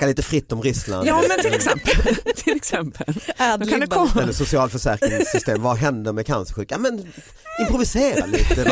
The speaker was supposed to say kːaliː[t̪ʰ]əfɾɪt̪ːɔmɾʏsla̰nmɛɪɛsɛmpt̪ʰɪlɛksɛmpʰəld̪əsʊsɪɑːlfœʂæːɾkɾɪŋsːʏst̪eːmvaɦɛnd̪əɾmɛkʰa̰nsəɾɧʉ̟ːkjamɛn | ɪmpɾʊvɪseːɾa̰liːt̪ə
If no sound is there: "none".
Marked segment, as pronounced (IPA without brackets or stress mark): t̪